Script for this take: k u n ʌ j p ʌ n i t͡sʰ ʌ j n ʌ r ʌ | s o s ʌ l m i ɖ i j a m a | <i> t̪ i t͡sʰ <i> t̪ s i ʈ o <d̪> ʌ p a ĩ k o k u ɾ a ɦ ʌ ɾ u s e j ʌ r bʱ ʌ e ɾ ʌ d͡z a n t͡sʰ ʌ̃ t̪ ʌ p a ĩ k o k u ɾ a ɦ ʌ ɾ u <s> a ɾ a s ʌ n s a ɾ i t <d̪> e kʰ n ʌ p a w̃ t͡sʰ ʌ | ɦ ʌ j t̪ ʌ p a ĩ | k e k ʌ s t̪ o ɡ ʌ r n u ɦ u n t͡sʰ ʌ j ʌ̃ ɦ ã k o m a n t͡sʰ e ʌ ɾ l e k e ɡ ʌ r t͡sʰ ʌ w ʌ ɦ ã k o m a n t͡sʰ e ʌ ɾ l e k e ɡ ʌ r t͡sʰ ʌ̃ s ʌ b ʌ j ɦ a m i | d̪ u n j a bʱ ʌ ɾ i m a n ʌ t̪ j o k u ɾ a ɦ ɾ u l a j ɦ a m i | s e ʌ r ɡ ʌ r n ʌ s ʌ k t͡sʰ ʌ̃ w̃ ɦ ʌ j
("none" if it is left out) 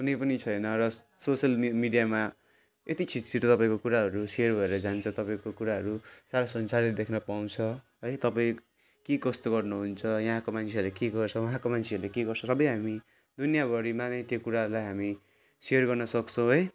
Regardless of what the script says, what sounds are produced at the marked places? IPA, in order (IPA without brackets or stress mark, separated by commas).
e, i, t̪, s, d̪